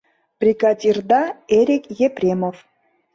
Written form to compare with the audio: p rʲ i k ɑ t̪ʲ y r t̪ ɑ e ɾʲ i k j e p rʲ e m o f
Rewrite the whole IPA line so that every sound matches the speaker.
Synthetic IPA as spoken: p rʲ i k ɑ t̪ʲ i r d̪ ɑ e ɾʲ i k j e p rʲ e m o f